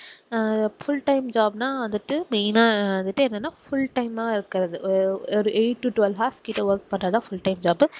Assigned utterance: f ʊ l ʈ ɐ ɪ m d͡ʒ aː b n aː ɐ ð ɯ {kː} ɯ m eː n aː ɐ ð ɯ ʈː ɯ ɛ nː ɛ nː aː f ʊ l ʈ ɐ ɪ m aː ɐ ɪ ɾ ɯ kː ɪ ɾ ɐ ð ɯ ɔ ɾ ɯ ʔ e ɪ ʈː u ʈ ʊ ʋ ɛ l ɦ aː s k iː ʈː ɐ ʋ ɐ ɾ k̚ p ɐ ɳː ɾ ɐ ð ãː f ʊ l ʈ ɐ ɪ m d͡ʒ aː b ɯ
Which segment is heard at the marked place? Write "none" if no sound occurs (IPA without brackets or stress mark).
ʈː